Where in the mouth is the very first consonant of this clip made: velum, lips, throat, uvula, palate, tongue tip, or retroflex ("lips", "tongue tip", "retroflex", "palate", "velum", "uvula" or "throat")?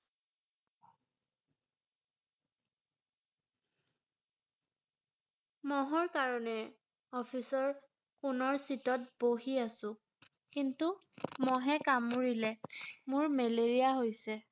lips